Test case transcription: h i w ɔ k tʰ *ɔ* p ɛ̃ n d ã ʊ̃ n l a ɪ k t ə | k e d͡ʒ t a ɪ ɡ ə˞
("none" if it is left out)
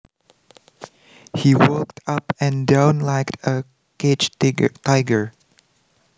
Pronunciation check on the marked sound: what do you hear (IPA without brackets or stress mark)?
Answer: ʌ